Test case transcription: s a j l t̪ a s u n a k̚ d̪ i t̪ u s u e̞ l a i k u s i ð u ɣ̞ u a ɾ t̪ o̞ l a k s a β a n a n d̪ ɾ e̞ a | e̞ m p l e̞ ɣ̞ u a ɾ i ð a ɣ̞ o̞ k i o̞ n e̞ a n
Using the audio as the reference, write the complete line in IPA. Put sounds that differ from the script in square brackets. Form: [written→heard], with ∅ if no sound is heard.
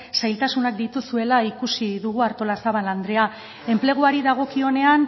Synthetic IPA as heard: s a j l t̪ a s u n a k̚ d̪ i t̪ u s u e̞ l a i k u s i ð u ɣ̞ u a ɾ t̪ o̞ l a [k→∅] s a β a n a n d̪ ɾ e̞ a | e̞ m p l e̞ ɣ̞ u a ɾ i ð a ɣ̞ o̞ k i o̞ n e̞ a n